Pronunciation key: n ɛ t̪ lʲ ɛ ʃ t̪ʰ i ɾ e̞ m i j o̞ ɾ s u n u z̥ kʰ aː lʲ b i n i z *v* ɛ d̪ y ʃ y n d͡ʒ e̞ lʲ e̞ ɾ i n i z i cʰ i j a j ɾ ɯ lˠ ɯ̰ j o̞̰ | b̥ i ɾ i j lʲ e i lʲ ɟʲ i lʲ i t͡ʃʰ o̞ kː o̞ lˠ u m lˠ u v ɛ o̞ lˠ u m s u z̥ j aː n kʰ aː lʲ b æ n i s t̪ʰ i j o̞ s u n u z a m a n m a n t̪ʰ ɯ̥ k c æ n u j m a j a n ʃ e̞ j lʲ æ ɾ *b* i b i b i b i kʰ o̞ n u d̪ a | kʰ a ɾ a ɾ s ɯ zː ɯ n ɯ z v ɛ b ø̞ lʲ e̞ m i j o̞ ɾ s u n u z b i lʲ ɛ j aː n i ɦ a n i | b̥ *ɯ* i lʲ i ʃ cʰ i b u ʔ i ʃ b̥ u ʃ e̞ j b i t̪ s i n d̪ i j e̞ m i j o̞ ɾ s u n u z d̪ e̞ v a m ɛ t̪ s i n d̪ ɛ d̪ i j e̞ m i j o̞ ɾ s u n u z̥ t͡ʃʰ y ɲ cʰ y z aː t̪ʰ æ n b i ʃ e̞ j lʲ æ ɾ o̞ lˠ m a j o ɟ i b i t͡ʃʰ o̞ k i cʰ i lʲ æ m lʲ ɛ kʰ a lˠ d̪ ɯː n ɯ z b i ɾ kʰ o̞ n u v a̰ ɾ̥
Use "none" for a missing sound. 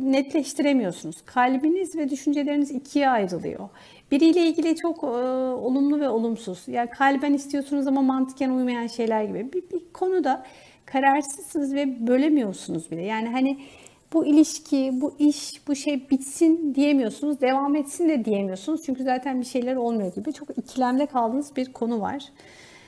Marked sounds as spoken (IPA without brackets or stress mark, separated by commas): v, ɟ, u